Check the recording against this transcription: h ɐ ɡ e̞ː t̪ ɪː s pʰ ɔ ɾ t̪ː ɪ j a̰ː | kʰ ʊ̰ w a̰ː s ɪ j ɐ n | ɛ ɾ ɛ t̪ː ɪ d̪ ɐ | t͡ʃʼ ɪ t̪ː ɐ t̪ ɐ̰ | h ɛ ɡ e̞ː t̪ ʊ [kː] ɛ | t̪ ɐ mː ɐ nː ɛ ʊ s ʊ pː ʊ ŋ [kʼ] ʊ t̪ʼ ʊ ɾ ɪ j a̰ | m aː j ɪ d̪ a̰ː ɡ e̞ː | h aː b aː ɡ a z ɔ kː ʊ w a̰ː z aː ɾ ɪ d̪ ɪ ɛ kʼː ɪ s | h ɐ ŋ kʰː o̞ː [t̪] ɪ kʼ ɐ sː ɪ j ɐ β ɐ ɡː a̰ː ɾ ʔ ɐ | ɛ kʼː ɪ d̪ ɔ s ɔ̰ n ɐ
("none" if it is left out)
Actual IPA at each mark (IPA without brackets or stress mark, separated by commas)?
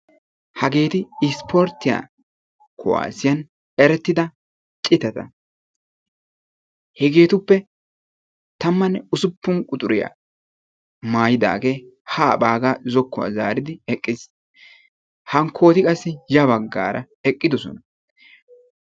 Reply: pː, kʼ, t̪